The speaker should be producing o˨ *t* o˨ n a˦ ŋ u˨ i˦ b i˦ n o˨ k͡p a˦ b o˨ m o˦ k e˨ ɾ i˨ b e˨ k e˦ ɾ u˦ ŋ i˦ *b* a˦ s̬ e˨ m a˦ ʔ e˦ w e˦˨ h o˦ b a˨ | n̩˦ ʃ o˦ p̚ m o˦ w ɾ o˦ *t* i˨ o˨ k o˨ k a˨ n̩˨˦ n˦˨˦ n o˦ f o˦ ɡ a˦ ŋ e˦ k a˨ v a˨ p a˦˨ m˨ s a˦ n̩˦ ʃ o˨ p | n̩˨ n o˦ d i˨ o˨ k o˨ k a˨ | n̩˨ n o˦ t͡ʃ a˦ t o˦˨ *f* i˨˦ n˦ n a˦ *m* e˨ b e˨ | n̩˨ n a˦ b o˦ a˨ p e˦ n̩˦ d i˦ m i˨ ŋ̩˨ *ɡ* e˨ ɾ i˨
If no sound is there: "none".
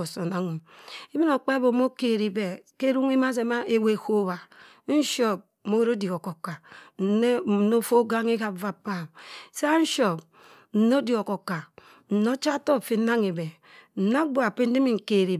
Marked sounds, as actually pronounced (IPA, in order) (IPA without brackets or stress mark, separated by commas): s, m, d, f, ŋ, k